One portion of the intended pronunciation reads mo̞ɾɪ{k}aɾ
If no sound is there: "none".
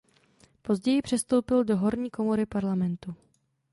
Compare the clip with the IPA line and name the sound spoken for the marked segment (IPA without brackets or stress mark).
p